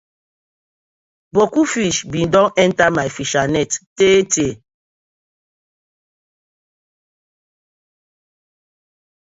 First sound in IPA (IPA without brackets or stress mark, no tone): b